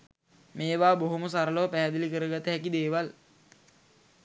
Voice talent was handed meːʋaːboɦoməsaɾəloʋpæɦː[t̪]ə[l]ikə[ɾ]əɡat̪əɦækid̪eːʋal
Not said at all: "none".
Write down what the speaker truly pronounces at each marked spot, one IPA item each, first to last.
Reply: d̪, l, ɾ

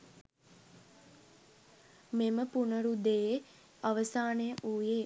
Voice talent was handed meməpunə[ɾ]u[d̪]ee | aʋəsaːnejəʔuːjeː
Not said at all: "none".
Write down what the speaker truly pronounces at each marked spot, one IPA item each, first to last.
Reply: ɾ, d̪

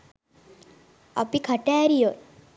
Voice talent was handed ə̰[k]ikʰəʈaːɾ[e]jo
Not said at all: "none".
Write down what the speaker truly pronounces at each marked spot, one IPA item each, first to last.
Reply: p, i

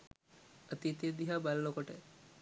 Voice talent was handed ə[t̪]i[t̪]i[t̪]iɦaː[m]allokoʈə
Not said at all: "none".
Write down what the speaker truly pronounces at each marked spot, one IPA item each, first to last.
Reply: t̪, t̪, d̪, b

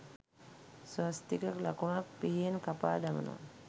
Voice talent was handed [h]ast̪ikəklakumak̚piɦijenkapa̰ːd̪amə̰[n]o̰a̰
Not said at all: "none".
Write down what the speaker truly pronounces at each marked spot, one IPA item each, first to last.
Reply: s, n

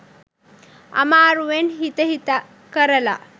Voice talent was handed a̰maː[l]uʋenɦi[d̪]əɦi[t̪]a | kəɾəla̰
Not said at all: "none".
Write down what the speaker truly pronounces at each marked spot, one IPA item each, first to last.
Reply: ɾ, t̪, t̪

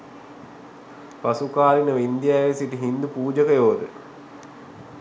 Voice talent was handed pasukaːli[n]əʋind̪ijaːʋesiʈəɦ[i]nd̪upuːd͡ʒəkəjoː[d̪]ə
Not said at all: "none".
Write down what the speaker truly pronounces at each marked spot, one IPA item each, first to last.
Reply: n, i, d̪

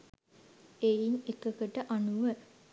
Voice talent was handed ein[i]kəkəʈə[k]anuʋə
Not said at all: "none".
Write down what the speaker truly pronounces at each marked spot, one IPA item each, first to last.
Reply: e, ʔ

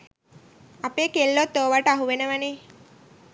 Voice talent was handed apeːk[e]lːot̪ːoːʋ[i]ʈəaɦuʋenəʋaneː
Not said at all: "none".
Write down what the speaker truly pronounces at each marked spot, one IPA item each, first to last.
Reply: e, a

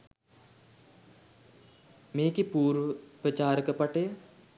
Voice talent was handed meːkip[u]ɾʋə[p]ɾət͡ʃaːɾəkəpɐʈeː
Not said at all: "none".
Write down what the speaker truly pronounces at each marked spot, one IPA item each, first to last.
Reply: uː, p

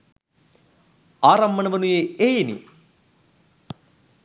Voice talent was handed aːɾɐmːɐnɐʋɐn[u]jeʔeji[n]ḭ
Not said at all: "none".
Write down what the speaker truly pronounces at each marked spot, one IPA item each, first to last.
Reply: u, n

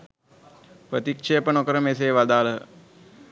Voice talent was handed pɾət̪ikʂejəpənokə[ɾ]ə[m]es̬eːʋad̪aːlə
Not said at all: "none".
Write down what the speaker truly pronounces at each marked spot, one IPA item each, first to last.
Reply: ɾ, m

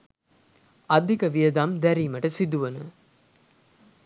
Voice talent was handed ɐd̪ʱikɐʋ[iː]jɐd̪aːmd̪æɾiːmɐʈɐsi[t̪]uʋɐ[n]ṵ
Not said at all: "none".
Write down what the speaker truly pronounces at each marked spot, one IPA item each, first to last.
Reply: i, d̪, n

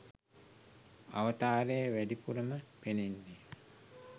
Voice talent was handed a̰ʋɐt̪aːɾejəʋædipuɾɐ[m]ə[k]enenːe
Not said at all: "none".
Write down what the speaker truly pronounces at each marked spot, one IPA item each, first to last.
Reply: m, p

